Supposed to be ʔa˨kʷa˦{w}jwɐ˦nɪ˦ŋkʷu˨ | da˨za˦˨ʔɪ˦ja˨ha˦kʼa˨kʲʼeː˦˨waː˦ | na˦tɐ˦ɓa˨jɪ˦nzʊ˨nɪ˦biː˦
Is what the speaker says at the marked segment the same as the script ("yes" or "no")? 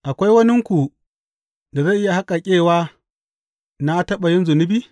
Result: no